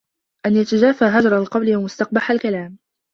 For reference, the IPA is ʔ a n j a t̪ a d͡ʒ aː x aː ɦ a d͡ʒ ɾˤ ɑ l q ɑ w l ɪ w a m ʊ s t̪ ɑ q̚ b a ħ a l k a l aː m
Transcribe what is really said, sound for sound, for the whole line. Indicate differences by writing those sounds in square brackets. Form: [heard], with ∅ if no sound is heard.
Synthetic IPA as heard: ʔ a n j a t̪ a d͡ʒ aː [f] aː ɦ a d͡ʒ ɾˤ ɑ l q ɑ w l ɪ w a m ʊ s t̪ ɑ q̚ b a ħ a l k a l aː m

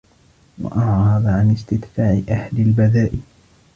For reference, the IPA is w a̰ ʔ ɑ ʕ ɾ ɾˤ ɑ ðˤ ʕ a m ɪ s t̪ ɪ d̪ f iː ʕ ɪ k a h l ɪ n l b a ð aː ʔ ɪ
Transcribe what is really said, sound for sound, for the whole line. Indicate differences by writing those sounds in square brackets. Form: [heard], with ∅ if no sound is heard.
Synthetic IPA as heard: w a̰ ʔ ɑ ʕ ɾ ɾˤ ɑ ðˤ ʕ a [n] ɪ s t̪ ɪ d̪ f [aː] ʕ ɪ [ʔ] a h l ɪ [∅] l b a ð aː ʔ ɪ

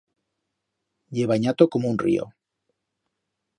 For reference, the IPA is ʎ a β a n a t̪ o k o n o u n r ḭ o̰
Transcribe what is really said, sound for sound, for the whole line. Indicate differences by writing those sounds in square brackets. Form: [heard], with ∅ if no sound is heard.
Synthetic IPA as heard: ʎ [e] β a [ɲ] a t̪ o k o [m] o u n r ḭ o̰

